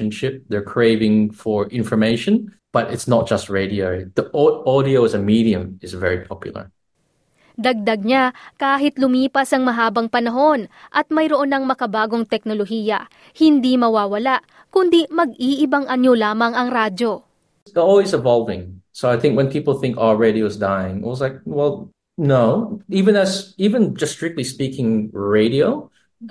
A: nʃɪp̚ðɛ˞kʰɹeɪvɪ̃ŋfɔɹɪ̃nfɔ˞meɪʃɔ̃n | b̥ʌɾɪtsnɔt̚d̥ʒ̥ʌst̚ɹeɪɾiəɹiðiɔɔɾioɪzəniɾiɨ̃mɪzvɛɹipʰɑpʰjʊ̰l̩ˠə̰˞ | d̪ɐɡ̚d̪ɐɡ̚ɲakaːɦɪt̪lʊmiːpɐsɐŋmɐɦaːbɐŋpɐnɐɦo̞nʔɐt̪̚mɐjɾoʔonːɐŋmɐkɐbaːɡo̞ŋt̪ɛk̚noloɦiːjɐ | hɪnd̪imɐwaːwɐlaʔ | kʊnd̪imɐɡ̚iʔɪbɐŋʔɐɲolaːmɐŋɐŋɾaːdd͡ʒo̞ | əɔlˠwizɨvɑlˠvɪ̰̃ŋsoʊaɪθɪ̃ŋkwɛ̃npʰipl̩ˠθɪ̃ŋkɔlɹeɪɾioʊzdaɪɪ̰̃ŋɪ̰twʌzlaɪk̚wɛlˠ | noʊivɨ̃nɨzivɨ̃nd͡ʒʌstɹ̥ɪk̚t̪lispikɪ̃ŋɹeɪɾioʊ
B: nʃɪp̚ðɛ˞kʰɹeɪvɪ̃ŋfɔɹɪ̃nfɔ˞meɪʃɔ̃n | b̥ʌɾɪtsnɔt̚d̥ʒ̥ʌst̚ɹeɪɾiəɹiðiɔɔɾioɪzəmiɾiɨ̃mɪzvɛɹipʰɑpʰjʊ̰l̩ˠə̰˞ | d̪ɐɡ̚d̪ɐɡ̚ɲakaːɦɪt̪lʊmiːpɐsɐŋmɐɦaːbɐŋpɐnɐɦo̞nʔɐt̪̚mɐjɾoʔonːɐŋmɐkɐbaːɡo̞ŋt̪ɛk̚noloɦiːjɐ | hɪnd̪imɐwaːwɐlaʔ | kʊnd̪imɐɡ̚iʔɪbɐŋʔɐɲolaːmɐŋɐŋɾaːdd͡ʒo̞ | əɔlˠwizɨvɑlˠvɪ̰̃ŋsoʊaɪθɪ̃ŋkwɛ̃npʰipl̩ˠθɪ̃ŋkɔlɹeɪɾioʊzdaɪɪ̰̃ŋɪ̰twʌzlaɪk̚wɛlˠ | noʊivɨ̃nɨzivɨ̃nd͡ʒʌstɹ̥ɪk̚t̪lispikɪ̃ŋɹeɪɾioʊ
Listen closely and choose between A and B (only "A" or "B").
B